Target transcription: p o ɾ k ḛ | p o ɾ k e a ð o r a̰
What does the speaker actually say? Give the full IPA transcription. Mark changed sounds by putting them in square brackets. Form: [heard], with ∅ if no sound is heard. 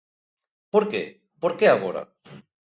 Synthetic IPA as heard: p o ɾ k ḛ | p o ɾ k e a [ɣ] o [ɾ] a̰